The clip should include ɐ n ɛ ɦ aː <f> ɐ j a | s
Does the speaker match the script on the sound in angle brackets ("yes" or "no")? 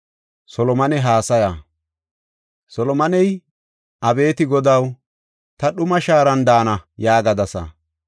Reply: no